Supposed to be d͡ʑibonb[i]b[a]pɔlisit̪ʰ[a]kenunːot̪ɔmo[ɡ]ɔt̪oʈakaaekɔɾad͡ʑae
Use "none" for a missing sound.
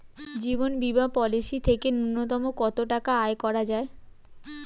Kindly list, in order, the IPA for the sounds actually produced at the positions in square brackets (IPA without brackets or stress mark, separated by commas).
i, a, e, k